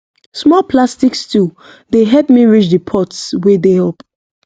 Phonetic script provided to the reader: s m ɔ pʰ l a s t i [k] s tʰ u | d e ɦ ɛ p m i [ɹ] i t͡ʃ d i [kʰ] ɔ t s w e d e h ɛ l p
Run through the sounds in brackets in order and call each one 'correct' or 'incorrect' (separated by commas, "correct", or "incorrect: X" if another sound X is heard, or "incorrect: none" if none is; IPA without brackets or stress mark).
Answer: correct, correct, incorrect: pʰ